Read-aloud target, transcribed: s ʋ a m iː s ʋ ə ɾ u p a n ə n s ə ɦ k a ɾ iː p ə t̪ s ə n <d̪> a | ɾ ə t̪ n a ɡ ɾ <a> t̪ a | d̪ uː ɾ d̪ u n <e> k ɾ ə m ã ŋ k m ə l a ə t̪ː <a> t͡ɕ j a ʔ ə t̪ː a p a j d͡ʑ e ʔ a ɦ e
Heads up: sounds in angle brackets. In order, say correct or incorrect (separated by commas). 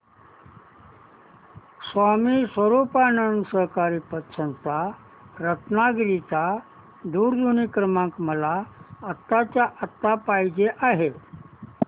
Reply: incorrect, incorrect, incorrect, correct